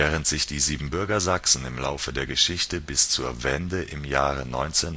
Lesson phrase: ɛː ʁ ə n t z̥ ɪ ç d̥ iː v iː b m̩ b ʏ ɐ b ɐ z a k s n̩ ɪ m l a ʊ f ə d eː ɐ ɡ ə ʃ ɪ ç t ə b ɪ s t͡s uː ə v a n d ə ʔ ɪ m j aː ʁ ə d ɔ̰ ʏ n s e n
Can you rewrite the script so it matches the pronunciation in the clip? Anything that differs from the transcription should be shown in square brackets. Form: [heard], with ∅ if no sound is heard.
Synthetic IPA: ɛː ʁ ə n t z̥ ɪ ç d̥ iː [z] iː b m̩ b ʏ ɐ [ɡ] ɐ z a k s n̩ ɪ m l a ʊ f ə d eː ɐ ɡ ə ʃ ɪ ç t ə b ɪ s t͡s uː [ɐ] v [ɛ] n d ə ʔ ɪ m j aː ʁ ə [n] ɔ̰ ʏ n [t͡s] e n